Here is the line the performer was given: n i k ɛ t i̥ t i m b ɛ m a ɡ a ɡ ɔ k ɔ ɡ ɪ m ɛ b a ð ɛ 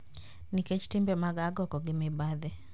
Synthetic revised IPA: n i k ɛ t͡ʃ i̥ t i m b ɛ m a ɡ a ɡ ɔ k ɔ ɡ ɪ m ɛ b a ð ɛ